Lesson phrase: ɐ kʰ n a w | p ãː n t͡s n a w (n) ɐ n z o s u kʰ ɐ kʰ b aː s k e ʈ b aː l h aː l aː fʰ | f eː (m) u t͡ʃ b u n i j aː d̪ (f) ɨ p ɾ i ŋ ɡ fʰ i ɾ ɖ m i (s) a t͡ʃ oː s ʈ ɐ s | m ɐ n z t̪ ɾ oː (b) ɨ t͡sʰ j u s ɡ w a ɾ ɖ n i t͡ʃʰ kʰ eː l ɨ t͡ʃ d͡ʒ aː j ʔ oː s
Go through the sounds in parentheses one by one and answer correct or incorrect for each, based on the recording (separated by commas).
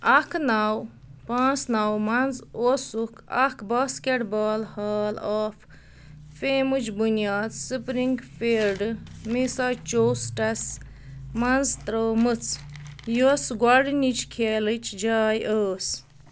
incorrect, correct, incorrect, correct, incorrect